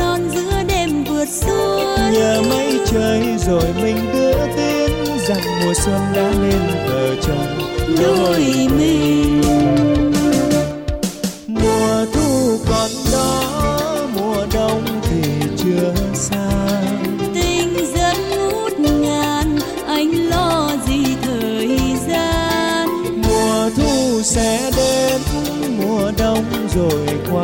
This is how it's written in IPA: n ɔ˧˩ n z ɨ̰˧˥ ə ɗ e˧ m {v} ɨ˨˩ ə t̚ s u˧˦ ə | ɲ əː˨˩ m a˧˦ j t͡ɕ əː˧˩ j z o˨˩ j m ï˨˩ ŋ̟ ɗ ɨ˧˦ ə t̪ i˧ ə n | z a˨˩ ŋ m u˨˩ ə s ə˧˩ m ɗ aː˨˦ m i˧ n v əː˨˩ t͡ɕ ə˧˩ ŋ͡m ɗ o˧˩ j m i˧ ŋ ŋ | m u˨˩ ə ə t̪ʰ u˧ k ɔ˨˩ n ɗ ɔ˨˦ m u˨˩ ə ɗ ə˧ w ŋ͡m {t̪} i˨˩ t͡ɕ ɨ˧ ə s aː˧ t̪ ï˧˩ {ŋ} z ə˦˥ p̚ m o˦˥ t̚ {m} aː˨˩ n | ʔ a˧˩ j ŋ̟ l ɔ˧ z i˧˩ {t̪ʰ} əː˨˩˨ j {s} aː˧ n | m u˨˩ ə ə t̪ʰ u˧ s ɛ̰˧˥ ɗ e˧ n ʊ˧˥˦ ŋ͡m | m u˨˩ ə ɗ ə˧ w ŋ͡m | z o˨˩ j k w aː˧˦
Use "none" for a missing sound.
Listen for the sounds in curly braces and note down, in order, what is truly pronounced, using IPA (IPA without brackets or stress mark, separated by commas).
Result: v, t̪ʰ, ŋ, ŋ, t̪ʰ, z